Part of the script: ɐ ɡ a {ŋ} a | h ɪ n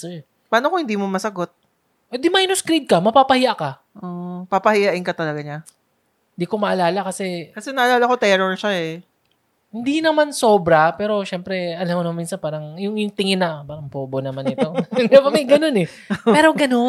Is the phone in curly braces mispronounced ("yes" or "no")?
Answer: yes